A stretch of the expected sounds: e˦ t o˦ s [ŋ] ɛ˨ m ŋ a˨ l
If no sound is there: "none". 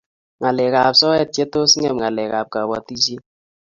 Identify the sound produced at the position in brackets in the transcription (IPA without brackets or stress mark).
ŋ